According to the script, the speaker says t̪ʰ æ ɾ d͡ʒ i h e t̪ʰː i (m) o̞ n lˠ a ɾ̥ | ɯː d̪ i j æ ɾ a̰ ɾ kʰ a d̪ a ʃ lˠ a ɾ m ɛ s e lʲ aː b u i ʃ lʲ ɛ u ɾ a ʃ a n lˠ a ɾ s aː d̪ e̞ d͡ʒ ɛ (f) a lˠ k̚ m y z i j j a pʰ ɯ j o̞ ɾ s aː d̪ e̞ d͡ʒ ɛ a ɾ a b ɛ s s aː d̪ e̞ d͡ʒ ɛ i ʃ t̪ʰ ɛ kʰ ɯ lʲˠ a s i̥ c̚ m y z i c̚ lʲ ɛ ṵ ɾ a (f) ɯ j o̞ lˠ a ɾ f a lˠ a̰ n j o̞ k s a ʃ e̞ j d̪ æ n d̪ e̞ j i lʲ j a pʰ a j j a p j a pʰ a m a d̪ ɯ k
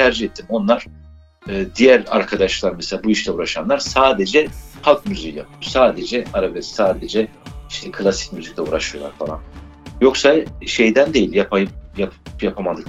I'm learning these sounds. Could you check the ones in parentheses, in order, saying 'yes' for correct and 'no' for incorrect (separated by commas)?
yes, no, no